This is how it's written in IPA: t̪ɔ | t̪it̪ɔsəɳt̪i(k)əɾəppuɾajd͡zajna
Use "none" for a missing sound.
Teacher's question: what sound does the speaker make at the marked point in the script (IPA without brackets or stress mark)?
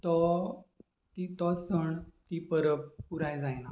p